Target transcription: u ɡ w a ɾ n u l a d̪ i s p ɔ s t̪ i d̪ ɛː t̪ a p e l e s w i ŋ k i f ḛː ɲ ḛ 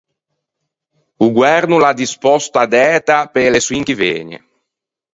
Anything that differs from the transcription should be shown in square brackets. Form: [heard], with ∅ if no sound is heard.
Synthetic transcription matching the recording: u ɡ w [ɛ] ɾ n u l a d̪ i s p ɔ s t̪ [a] d̪ ɛː t̪ a p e l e s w i ŋ k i [v] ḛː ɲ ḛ